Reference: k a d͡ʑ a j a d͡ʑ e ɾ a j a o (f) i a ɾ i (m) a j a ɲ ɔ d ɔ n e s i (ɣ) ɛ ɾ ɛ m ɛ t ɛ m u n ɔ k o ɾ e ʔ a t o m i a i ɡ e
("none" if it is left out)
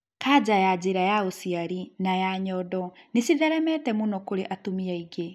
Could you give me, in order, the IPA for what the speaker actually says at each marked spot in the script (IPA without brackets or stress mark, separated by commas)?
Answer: s, n, ð